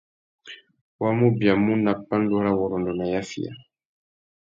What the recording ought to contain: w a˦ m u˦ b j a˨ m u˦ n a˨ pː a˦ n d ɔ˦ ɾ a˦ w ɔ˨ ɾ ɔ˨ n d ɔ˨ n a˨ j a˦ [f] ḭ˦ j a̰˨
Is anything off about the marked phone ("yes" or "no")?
no